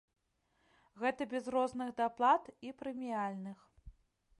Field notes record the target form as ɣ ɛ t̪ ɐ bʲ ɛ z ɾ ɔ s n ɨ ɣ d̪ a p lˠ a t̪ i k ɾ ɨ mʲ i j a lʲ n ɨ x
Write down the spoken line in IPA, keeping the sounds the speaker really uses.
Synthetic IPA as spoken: ɣ ɛ t̪ ɐ bʲ ɛ z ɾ ɔ z n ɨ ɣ d̪ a p lˠ a t̪ i p ɾ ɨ mʲ i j a lʲ n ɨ x